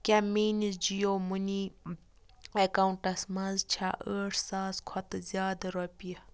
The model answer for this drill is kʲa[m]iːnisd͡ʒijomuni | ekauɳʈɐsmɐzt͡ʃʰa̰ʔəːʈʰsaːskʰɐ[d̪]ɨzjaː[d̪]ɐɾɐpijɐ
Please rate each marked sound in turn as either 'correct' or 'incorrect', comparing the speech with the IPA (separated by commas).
correct, incorrect, correct